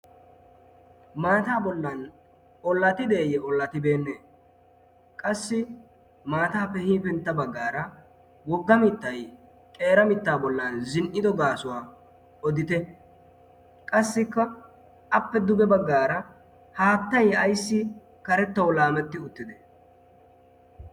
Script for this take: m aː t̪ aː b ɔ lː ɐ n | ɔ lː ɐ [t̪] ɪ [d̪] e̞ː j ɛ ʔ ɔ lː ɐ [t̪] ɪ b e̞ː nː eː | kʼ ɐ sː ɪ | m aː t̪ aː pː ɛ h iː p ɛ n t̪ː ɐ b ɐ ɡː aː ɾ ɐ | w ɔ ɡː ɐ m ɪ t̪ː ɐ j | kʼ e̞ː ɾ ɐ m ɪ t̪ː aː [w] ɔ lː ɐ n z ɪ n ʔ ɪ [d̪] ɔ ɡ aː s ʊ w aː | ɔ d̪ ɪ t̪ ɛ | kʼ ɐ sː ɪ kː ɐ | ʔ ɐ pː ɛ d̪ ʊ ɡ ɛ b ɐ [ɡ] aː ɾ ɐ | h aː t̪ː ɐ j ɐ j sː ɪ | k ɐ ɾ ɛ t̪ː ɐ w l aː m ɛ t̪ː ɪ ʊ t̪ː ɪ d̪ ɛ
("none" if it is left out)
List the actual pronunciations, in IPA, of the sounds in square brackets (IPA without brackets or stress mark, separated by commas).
t̪, d̪, t̪, b, d̪, ɡː